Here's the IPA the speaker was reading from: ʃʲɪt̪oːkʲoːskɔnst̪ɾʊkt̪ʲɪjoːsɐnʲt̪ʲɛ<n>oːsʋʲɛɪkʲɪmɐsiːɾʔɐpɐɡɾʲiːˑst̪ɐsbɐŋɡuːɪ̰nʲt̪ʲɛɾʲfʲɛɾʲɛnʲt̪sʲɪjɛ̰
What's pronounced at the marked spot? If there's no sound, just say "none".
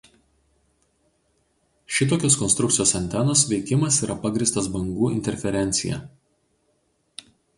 n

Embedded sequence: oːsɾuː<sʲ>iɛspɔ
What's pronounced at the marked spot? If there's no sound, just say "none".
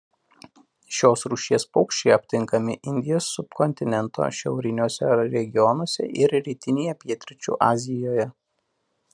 ʃʲ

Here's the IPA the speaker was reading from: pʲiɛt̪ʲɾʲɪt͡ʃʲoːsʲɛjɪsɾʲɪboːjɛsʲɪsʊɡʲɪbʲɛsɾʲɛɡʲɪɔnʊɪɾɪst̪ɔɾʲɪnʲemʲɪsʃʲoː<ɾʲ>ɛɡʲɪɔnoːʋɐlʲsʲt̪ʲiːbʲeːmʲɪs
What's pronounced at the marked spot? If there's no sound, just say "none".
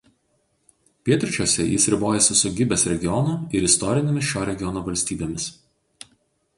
ɾʲ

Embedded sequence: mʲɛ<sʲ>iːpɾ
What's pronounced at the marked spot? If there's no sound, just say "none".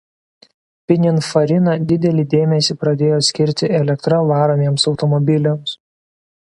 sʲ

